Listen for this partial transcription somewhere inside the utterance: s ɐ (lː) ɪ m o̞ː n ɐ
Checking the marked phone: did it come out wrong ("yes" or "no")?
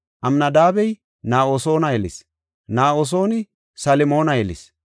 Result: yes